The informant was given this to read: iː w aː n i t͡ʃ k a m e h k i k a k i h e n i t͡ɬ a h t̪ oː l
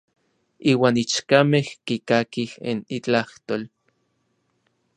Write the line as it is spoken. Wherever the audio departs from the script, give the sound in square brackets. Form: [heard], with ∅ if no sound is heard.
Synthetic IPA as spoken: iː w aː n i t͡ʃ k a m e h k i k a k i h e n i t͡ɬ a h t̪ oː l